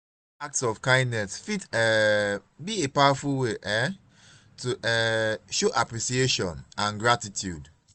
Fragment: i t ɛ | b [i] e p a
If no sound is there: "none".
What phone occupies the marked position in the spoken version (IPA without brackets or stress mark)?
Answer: i